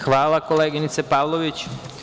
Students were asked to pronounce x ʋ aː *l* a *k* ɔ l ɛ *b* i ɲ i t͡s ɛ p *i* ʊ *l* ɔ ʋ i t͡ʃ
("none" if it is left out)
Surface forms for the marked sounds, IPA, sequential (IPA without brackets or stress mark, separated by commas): l, k, ɡ, a, l